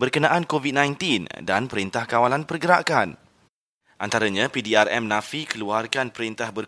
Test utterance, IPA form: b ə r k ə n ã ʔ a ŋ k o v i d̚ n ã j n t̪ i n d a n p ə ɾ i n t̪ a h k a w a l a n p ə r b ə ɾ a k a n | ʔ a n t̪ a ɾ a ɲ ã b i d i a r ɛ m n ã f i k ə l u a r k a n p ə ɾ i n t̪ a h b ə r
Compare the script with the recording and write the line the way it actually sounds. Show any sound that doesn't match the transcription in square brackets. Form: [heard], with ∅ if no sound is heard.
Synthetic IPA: b ə r k ə n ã ʔ a [n] k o v i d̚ n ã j n t̪ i n d a n p ə ɾ i n t̪ a h k a w a l a n p ə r [ɡ] ə ɾ a k a n | ʔ a n t̪ a ɾ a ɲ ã [p] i d i a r ɛ m n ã f i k ə l u a r k a n p ə ɾ i n t̪ a h b ə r